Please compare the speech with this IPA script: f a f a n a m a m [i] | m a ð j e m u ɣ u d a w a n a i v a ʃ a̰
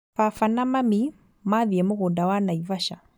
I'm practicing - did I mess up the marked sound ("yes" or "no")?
no